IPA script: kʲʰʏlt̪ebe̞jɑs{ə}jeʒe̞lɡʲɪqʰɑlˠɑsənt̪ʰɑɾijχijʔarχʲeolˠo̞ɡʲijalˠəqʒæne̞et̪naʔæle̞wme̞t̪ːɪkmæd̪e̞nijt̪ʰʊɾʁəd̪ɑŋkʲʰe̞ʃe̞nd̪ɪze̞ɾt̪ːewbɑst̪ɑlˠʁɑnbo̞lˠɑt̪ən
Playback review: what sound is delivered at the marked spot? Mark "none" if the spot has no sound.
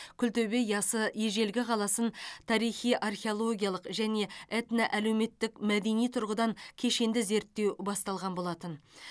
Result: ə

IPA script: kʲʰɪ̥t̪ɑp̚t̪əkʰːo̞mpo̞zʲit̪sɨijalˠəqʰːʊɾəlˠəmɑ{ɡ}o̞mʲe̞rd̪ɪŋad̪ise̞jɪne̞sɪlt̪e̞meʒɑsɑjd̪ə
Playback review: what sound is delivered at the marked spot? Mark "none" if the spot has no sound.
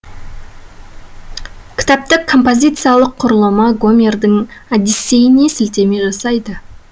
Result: ɡ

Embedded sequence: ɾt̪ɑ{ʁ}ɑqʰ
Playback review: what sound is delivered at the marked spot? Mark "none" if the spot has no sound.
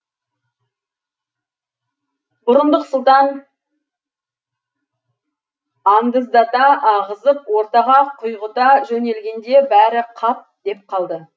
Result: ʁ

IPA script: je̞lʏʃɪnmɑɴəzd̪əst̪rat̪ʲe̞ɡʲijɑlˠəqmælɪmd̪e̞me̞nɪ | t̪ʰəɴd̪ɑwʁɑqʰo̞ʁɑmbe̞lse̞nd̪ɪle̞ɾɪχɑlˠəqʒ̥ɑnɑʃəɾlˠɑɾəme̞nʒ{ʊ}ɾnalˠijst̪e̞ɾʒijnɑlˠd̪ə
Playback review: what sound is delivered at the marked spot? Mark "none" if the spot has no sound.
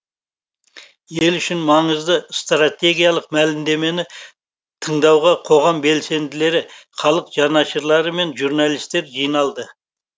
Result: u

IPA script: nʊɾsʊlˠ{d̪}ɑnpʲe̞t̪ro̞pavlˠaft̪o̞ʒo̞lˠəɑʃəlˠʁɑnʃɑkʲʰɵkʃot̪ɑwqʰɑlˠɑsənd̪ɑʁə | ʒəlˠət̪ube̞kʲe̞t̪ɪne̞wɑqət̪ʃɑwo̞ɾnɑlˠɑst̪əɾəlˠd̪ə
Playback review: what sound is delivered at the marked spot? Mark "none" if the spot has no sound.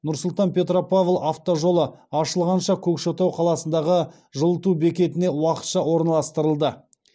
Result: t̪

